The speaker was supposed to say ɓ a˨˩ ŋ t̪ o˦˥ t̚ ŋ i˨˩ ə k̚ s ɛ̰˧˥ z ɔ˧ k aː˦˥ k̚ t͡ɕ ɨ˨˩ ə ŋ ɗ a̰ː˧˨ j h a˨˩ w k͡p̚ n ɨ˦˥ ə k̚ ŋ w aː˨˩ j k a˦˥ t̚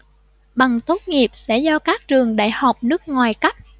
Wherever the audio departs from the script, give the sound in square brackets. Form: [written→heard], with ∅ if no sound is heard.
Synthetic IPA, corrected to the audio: ɓ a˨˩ ŋ t̪ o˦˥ t̚ ŋ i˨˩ ə [k̚→p̚] s ɛ̰˧˥ z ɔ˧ k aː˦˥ k̚ t͡ɕ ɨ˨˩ ə ŋ ɗ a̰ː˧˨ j h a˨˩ w k͡p̚ n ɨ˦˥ ə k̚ ŋ w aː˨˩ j k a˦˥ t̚